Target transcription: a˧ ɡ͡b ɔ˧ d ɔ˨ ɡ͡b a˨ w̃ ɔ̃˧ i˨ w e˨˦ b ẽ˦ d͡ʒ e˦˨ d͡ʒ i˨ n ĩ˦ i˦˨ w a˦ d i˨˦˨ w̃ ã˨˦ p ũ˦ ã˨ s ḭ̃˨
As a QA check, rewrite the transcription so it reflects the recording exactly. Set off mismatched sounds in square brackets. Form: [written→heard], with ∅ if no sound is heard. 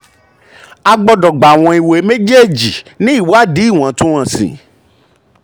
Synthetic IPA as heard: a˧ ɡ͡b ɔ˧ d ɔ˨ ɡ͡b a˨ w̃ ɔ̃˧ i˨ w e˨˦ [b→m] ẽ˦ d͡ʒ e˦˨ d͡ʒ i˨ n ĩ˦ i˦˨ w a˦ d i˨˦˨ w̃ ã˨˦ [p→t] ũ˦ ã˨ s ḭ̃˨